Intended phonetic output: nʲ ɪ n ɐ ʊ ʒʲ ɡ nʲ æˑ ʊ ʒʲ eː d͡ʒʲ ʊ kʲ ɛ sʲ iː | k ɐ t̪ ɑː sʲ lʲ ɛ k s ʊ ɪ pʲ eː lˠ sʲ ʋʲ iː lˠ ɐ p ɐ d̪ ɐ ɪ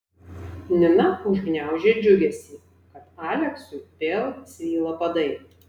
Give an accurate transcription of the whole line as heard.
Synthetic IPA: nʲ ɪ n ɐ ʊ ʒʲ ɡ nʲ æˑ ʊ ʒʲ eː d͡ʒʲ ʊ ɡʲ ɛ sʲ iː | k ɐ t̪ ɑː lʲ ɛ k s ʊ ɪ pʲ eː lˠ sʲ ʋʲ iː lˠ ɐ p ɐ d̪ ɐ ɪ